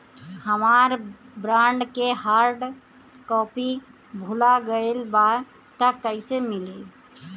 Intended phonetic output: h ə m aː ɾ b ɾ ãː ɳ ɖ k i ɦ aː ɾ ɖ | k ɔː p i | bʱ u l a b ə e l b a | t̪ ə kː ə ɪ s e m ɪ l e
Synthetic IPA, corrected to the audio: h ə m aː ɾ b ɾ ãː ɳ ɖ k e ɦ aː ɾ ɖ | k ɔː p i | bʱ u l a ɡ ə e l b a | t̪ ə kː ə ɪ s e m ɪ l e